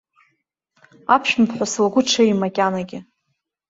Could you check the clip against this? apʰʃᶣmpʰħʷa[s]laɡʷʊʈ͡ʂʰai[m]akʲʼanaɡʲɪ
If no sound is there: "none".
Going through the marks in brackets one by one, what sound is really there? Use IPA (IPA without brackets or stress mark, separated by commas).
s, m